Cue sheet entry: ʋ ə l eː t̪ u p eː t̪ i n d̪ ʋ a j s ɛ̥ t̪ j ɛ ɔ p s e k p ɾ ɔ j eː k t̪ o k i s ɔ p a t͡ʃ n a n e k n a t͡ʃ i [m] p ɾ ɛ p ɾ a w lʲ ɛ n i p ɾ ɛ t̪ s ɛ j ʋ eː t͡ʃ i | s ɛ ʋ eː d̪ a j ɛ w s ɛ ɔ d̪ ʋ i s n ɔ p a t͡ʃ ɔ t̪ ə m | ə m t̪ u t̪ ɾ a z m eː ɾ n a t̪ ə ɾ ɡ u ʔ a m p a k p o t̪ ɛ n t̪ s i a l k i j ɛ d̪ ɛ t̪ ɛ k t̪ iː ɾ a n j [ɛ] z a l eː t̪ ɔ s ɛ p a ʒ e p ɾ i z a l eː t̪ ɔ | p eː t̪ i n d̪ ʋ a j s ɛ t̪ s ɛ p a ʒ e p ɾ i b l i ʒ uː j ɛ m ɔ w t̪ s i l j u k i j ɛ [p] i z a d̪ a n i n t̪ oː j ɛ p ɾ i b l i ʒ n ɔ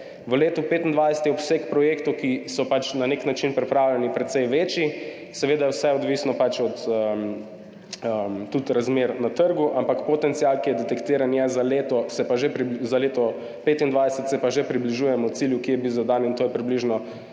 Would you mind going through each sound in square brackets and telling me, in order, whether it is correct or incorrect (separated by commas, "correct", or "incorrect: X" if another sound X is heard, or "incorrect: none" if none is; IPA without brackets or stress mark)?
incorrect: n, correct, incorrect: b